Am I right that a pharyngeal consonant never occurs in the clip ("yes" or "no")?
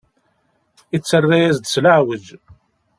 no